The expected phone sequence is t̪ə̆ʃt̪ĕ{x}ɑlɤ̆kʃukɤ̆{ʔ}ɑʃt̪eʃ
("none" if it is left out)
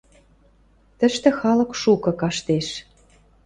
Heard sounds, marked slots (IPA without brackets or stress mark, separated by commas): x, k